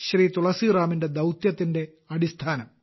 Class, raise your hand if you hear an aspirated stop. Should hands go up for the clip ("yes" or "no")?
yes